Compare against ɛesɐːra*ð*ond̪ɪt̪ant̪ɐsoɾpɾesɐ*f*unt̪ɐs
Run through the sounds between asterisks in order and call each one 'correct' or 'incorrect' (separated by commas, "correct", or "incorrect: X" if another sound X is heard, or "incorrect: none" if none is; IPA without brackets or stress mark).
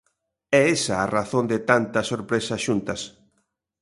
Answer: incorrect: θ, incorrect: ʃ